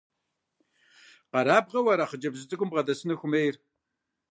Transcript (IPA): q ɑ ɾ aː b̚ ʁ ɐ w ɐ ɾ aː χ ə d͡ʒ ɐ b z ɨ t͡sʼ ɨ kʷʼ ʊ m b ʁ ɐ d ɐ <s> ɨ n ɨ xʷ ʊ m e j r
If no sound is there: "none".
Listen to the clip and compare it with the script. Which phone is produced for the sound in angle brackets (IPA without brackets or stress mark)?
s